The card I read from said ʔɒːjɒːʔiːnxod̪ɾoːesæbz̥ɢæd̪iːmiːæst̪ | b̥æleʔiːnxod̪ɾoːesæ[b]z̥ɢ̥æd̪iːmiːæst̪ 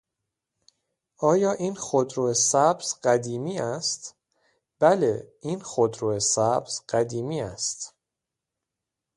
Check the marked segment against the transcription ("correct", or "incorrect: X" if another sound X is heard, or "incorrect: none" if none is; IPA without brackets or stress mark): correct